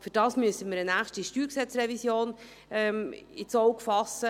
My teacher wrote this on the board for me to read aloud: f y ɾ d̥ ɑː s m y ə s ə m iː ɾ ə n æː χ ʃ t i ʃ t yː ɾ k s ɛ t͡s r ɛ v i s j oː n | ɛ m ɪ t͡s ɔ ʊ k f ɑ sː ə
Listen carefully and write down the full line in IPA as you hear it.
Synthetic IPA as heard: f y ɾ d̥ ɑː s m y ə s ə m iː ɾ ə n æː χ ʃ t i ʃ t yː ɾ k s ɛ t͡s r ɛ v i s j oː n | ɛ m ɪ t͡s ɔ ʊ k f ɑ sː ə